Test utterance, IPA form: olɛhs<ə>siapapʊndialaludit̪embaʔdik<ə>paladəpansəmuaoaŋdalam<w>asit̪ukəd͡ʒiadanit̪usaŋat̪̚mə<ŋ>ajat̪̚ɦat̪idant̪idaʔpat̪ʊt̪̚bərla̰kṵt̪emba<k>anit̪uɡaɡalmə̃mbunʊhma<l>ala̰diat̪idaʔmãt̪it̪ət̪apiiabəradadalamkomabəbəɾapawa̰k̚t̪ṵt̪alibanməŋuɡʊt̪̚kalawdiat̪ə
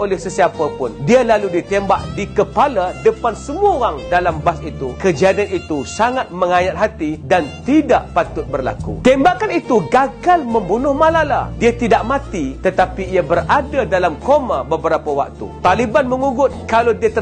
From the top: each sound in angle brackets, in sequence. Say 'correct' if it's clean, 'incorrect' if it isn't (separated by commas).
correct, correct, incorrect, correct, correct, correct